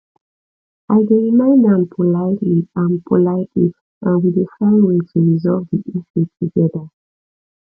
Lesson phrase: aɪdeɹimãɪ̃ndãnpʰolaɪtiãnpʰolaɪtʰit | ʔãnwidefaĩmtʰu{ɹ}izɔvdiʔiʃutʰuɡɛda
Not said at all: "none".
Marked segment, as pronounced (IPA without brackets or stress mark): ɹ